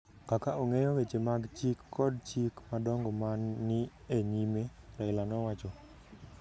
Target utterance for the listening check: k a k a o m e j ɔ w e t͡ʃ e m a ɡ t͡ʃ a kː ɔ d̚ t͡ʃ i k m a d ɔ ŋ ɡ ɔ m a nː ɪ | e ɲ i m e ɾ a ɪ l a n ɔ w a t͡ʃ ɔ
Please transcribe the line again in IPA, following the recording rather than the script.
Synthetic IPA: k a k a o ŋ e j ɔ w e t͡ʃ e m a ɡ t͡ʃ i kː ɔ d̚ t͡ʃ i k m a d ɔ ŋ ɡ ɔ m a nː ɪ | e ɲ i m e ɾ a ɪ l a n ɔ w a t͡ʃ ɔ